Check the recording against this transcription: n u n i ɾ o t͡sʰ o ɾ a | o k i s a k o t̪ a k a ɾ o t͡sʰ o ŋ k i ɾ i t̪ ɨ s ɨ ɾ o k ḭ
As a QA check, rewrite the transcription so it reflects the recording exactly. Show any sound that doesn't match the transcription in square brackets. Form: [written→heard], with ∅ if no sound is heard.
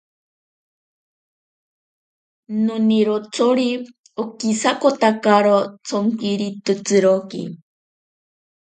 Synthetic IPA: n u n i ɾ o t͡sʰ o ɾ [a→i] | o k i s a k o t̪ a k a ɾ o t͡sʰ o ŋ k i ɾ i t̪ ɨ [s→t͡s] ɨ ɾ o k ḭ